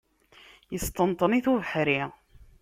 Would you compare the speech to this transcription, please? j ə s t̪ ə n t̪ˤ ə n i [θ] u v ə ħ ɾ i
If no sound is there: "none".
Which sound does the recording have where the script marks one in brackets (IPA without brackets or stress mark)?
θ